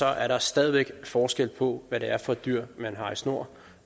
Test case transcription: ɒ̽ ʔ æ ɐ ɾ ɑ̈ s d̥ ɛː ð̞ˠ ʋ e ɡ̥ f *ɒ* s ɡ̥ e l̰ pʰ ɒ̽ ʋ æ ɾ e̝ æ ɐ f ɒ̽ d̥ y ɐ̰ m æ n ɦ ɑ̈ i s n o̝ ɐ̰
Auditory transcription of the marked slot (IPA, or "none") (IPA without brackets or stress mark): ɒː